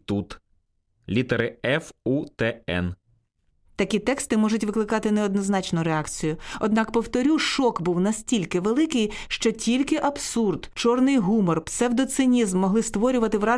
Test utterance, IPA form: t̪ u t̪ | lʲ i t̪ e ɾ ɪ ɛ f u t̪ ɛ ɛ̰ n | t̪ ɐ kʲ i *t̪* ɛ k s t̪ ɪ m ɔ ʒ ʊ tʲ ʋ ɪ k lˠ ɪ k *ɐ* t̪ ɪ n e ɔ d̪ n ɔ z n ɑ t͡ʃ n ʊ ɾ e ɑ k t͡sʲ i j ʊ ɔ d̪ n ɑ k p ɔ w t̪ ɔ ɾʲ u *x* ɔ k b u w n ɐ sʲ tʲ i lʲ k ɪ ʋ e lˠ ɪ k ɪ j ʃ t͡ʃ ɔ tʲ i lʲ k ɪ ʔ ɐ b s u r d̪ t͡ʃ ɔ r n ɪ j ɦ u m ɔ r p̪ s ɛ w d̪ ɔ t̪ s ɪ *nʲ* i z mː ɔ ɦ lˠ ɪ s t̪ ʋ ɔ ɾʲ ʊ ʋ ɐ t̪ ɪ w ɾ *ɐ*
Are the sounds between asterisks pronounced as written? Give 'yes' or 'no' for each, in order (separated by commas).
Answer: yes, no, no, yes, no